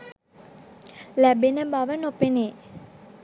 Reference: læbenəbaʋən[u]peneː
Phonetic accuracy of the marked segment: incorrect: o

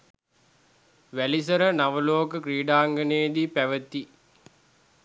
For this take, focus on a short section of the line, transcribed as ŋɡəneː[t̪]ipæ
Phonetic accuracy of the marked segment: incorrect: d̪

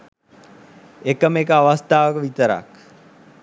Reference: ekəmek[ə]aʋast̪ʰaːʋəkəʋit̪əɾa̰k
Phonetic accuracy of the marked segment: correct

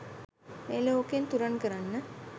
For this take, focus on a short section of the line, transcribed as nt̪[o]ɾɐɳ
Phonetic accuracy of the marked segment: incorrect: u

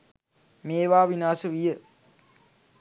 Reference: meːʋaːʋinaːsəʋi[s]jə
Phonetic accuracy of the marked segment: incorrect: none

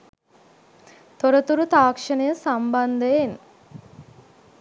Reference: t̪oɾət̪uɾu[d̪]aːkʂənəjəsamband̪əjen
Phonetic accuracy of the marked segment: incorrect: t̪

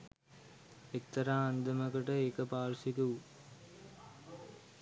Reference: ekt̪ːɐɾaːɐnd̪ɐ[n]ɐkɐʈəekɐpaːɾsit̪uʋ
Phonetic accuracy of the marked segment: incorrect: m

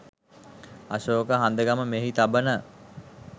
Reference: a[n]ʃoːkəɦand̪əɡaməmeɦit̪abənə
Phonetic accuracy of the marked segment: incorrect: none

